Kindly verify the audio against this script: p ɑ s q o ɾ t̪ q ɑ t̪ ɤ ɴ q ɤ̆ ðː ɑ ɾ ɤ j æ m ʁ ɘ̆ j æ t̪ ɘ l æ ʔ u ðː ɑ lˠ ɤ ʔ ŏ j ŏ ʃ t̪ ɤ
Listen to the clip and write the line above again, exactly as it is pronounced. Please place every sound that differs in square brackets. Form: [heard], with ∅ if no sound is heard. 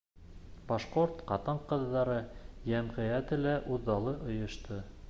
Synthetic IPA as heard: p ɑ [ʃ] q o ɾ t̪ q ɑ t̪ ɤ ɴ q ɤ̆ ðː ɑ ɾ ɤ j æ m ʁ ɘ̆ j æ t̪ ɘ l æ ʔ u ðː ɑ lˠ ɤ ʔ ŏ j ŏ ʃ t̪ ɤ

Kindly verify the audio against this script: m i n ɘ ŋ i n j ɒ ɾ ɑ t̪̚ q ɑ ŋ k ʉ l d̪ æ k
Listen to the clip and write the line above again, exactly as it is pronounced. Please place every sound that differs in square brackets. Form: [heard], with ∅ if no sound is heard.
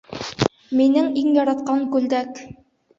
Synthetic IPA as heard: m i n ɘ ŋ i [ŋ] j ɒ ɾ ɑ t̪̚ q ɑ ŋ k ʉ l d̪ æ k

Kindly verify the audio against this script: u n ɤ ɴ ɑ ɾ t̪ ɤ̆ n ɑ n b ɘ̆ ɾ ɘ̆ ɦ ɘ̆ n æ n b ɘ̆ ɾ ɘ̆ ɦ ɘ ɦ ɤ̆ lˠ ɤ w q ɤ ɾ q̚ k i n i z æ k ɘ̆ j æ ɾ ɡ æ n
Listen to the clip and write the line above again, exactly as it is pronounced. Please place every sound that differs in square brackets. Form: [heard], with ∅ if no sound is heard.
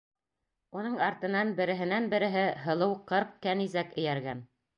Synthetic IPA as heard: u n ɤ ɴ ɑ ɾ t̪ ɤ̆ n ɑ n b ɘ̆ ɾ ɘ̆ ɦ ɘ̆ n æ n b ɘ̆ ɾ ɘ̆ ɦ ɘ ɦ ɤ̆ lˠ ɤ w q ɤ ɾ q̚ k [æ] n i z æ k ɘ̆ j æ ɾ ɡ æ n

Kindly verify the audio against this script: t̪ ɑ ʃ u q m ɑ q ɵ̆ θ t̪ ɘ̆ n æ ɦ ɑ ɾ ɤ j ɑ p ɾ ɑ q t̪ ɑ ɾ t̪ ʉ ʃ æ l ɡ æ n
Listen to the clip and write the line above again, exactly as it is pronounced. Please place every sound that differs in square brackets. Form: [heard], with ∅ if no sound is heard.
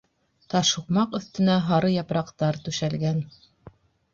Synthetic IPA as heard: t̪ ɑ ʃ u q m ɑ q ɵ̆ θ t̪ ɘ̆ n æ ɦ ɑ ɾ ɤ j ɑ p ɾ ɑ q t̪ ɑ ɾ t̪ ʉ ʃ æ l ɡ æ n

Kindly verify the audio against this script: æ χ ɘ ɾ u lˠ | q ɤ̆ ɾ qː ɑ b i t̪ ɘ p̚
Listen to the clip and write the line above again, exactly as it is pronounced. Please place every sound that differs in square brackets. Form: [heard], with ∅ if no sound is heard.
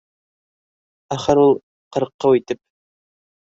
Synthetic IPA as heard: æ χ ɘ ɾ u lˠ | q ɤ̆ ɾ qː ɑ [w] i t̪ ɘ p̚

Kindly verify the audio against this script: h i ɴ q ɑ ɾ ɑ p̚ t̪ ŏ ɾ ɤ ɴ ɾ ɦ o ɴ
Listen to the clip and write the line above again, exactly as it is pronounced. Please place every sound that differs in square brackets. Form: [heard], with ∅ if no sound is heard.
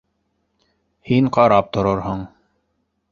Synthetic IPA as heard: h i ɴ q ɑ ɾ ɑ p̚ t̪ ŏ ɾ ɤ [∅] ɾ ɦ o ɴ

